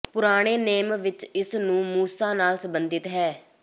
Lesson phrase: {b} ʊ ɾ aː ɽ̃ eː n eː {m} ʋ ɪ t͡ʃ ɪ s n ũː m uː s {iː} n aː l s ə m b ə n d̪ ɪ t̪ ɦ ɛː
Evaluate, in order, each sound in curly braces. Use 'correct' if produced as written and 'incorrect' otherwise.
incorrect: p, correct, incorrect: aː

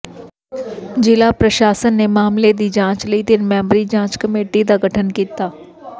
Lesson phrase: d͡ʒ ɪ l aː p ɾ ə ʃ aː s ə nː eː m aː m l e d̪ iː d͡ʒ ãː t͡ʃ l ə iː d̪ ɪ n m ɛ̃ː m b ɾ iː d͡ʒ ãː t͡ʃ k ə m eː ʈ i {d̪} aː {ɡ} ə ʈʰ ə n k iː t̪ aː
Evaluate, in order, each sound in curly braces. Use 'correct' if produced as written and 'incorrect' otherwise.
correct, correct

